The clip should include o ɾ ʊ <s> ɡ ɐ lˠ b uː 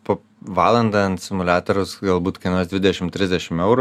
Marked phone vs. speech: correct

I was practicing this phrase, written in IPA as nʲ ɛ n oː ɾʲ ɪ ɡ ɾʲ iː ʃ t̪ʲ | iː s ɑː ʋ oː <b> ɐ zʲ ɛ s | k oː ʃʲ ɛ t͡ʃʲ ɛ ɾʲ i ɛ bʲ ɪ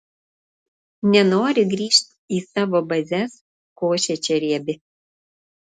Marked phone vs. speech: correct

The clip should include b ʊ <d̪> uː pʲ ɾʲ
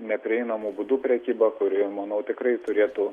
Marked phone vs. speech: correct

